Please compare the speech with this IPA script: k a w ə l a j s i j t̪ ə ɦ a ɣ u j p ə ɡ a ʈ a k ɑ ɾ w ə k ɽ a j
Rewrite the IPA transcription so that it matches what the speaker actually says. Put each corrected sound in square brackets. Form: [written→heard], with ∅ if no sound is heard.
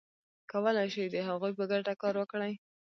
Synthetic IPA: k a w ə l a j [s→ʃ] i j [t̪→d̪] ə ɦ a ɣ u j p ə ɡ a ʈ a k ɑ ɾ w ə k ɽ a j